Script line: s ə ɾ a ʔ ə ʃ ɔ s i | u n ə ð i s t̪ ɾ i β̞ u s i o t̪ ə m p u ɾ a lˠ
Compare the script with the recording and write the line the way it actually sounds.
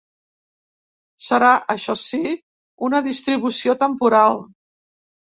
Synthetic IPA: s ə ɾ a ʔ ə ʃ ɔ s i | u n ə ð i s t̪ ɾ i β̞ u s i o t̪ ə m p u ɾ a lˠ